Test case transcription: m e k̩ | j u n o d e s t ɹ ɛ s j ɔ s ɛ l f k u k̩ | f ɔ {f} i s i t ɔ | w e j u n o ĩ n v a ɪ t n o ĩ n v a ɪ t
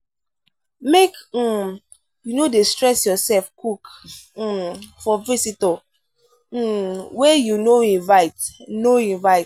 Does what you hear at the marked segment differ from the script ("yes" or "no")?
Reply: yes